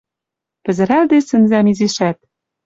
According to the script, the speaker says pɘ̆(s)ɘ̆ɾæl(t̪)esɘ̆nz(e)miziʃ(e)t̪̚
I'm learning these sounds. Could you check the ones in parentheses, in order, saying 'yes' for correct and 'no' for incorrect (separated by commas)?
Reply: no, no, no, no